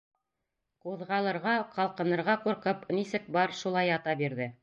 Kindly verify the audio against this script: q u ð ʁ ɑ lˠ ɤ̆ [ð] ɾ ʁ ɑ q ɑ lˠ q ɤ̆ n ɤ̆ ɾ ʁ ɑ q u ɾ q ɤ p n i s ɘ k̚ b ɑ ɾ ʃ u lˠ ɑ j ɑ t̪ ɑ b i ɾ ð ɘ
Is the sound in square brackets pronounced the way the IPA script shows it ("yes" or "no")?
no